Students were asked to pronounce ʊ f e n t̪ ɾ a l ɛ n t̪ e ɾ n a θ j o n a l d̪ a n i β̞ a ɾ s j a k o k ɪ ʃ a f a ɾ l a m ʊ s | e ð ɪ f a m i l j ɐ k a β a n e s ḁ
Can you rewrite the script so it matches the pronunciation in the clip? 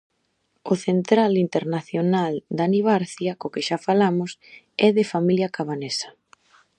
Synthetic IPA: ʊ θ e n t̪ ɾ a l i n t̪ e ɾ n a θ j o n a l d̪ a n i β̞ a ɾ θ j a k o k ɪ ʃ a f a l a m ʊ s | ɛ ð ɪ f a m i l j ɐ k a β a n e s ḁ

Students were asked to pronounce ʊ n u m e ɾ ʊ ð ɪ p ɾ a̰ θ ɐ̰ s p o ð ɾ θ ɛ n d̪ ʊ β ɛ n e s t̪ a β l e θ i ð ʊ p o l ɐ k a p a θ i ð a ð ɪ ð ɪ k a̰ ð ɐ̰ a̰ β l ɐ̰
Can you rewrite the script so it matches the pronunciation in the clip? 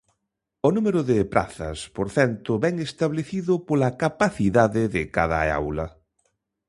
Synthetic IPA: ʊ n u m e ɾ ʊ ð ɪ p ɾ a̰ θ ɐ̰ s p o ɾ θ ɛ n t̪ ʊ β ɛ ŋ e s t̪ a β l e θ i ð ʊ p o l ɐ k a p a θ i ð a ð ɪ ð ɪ k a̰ ð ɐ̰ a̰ w l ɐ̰

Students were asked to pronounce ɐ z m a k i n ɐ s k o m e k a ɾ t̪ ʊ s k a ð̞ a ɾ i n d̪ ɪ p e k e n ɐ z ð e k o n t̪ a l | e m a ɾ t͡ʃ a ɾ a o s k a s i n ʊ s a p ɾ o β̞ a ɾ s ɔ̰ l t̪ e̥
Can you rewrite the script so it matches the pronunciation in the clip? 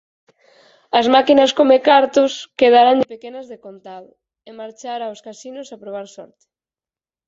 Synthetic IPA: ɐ z m a k i n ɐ s k o m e k a ɾ t̪ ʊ s k e ð̞ a ɾ a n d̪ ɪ p e k e n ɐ z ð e k o n t̪ a l | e m a ɾ t͡ʃ a ɾ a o s k a s i n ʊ s a p ɾ o β̞ a ɾ s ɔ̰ ɾ t̪ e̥

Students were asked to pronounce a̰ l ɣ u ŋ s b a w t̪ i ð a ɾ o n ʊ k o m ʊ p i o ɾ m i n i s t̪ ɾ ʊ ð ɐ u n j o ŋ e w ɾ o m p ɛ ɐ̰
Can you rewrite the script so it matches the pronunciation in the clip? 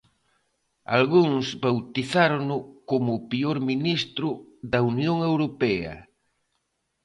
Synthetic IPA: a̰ l ɣ u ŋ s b a w t̪ i θ a ɾ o n ʊ k o m ʊ p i o ɾ m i n i s t̪ ɾ ʊ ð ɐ u n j o ŋ e w ɾ o p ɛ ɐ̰

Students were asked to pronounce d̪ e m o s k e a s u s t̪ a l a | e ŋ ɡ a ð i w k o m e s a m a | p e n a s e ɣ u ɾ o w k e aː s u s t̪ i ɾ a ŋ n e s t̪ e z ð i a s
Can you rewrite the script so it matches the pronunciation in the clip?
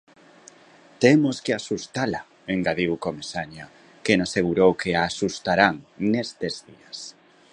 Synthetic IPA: t̪ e m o s k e a s u s t̪ a l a | e ŋ ɡ a ð i w k o m e s a ɲ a | k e n a s e ɣ u ɾ o w k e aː s u s t̪ a ɾ a ŋ n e s t̪ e z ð i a s

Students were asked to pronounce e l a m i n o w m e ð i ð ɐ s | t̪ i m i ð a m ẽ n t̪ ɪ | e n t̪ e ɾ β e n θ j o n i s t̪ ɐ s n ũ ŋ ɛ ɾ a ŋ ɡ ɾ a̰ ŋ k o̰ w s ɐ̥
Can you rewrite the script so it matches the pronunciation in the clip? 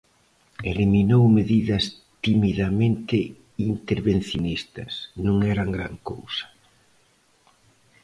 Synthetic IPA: e l i m i n o w m e ð i ð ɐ s | t̪ i m i ð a m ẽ n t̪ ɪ | i n t̪ e ɾ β e n θ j o n i s t̪ ɐ s n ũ ŋ ɛ ɾ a ŋ ɡ ɾ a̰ ŋ k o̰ w s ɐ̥

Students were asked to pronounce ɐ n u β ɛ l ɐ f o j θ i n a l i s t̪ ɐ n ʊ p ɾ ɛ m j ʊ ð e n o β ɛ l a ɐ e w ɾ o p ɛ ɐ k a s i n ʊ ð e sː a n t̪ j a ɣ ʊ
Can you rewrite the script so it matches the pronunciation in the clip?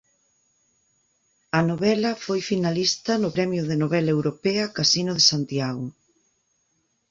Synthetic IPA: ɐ n o β ɛ l ɐ f o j f i n a l i s t̪ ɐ n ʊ p ɾ ɛ m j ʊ ð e n o β ɛ l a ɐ e w ɾ o p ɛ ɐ k a s i n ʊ ð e s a n t̪ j a ɣ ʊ

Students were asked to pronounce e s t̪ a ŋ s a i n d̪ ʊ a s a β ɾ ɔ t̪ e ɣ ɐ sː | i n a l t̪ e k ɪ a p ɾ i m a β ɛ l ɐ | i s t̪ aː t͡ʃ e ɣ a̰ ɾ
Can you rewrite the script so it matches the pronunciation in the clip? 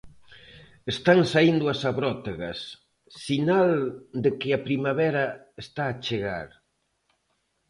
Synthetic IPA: e s t̪ a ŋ s a i n d̪ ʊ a s a β ɾ ɔ t̪ e ɣ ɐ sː | i n a l d̪ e k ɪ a p ɾ i m a β ɛ ɾ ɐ | e s t̪ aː t͡ʃ e ɣ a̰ ɾ

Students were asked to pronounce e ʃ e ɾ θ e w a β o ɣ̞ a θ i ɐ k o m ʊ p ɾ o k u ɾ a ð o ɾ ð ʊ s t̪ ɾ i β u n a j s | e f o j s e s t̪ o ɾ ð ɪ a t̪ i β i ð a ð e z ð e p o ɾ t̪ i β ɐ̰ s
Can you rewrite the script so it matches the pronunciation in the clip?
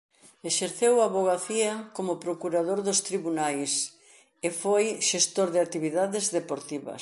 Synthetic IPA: e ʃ e ɾ θ e w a β o ɣ̞ a θ i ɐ k o m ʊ p ɾ o k u ɾ a ð o ɾ ð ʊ s t̪ ɾ i β u n a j s | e f o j ʃ e s t̪ o ɾ ð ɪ a t̪ i β i ð a ð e z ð e p o ɾ t̪ i β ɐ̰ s

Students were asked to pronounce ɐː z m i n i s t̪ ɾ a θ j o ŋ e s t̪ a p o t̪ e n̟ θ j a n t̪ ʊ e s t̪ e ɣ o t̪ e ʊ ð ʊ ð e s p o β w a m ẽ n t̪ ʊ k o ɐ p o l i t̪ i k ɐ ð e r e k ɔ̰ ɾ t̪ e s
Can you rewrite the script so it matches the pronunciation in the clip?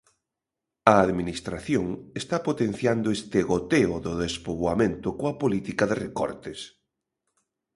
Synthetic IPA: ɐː ð m i n i s t̪ ɾ a θ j o ŋ e s t̪ a p o t̪ e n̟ θ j a n d̪ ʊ e s t̪ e ɣ o t̪ e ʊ ð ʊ ð e s p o β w a m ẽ n t̪ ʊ k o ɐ p o l i t̪ i k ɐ ð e r e k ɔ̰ ɾ t̪ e s

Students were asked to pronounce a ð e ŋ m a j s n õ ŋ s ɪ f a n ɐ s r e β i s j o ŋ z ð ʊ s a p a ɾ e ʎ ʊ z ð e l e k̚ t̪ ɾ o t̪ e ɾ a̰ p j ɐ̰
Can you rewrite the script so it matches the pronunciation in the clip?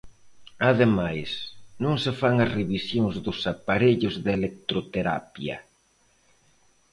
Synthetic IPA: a ð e m a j s n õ ŋ s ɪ f a ŋ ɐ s r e β i s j o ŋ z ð ʊ s a p a ɾ e ʎ ʊ z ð e l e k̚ t̪ ɾ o t̪ e ɾ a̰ p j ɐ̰

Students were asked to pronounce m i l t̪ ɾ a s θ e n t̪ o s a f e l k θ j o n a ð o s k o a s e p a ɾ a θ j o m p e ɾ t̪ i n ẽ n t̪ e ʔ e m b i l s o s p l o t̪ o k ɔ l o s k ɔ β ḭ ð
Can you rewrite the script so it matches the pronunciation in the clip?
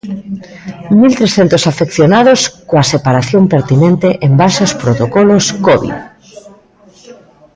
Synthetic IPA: m i l t̪ ɾ e s θ e n t̪ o s a f e k θ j o n a ð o s k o a s e p a ɾ a θ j o m p e ɾ t̪ i n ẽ n t̪ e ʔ e m b a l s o s p ɾ o t̪ o k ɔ l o s k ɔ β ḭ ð

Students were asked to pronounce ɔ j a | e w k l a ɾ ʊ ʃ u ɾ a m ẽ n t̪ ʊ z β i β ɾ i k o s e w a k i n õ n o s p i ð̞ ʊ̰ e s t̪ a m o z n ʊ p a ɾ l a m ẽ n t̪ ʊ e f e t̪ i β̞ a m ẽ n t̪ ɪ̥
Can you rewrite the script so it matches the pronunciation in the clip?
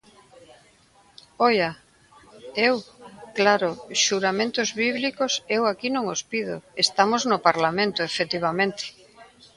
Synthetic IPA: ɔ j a | e w k l a ɾ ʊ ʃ u ɾ a m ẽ n t̪ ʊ z β i β l i k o s e w a k i n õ ŋ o s p i ð̞ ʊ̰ e s t̪ a m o z n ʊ p a ɾ l a m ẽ n t̪ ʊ e f e t̪ i β̞ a m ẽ n t̪ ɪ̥

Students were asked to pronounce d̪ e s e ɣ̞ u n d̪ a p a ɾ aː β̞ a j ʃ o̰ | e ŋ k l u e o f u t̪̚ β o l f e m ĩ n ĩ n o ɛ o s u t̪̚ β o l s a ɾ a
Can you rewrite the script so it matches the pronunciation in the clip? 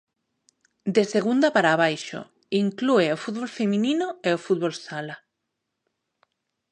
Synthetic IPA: d̪ e s e ɣ̞ u n d̪ a p a ɾ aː β̞ a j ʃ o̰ | i ŋ k l u e o f u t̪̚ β o l f e m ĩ n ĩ n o e o f u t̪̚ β o l s a l a

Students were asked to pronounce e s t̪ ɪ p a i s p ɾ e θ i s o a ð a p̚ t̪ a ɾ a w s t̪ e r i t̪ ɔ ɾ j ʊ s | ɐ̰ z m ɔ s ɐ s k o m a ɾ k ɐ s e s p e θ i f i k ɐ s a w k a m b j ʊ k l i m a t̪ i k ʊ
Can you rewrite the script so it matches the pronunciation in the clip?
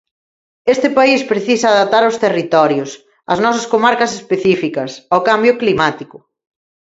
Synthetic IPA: e s t̪ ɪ p a i s p ɾ e θ i s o a ð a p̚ t̪ a ɾ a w s t̪ e r i t̪ ɔ ɾ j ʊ s | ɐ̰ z n ɔ s ɐ s k o m a ɾ k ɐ s e s p e θ i f i k ɐ s a w k a m b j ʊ k l i m a t̪ i k ʊ

